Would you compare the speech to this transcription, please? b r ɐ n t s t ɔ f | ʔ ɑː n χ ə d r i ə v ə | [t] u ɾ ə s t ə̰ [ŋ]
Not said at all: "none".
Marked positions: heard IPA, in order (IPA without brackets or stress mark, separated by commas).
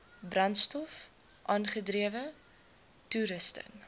t, n